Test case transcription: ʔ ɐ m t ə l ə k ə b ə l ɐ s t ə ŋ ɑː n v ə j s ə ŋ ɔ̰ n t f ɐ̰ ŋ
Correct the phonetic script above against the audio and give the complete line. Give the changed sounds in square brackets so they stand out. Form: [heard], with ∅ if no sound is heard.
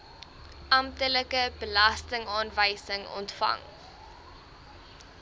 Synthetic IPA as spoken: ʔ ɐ m t ə l ə k ə b ə l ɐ s t ə ŋ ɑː n v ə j s ə ŋ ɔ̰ n t f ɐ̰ ŋ